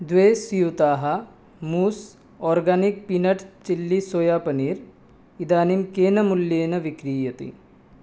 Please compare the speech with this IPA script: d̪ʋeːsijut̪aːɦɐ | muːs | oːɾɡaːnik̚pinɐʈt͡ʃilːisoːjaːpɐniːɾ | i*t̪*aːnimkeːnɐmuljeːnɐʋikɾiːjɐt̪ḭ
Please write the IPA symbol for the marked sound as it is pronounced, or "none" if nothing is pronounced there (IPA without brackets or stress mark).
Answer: d̪